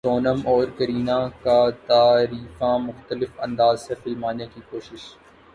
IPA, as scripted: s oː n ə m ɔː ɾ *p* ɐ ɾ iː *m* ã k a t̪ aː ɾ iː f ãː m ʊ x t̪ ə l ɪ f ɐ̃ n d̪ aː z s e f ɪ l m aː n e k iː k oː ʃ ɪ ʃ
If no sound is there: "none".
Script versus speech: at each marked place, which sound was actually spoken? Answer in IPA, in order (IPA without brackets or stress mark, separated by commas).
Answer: k, n